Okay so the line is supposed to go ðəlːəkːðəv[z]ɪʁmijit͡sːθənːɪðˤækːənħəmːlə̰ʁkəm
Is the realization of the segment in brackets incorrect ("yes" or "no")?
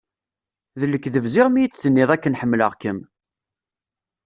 no